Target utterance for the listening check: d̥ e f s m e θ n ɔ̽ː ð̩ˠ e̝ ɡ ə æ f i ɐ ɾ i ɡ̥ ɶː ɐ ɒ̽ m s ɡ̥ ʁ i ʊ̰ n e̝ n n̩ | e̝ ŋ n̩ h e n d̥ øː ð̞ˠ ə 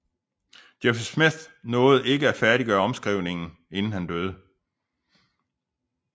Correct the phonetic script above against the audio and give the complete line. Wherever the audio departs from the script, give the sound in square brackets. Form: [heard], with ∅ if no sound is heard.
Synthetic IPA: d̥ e f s m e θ n ɔ̽ː ð̩ˠ e̝ ɡ ə æ f [æ] ɐ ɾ i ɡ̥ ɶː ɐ ɒ̽ m s ɡ̥ ʁ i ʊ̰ n e̝ [ŋ] n̩ | e̝ [n] n̩ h [æ] n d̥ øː ð̞ˠ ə